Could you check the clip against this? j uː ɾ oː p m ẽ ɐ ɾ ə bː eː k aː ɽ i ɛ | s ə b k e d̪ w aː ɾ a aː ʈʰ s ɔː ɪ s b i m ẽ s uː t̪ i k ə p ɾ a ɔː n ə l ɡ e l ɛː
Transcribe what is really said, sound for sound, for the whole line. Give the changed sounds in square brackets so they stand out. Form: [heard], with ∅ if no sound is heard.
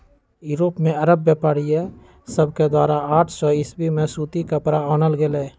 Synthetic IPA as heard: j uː ɾ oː p m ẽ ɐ ɾ ə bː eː [p] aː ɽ i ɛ | s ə b k e d̪ w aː ɾ a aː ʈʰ s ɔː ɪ s b i m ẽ s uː t̪ i k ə p ɾ a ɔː n ə l ɡ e l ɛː